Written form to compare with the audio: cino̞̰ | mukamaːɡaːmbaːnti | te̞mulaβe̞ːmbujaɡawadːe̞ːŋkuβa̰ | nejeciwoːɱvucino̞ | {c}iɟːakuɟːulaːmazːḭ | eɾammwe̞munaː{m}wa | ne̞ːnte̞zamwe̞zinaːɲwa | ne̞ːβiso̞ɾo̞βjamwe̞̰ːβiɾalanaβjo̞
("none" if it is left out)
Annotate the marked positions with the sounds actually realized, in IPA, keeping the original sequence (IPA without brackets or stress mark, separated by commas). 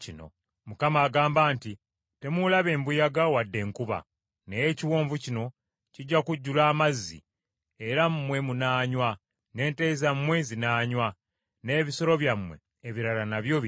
c, ɲ